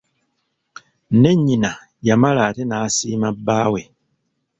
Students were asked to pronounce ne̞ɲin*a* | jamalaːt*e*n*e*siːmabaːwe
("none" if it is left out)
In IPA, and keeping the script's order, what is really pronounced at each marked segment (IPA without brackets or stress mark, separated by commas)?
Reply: a, e, a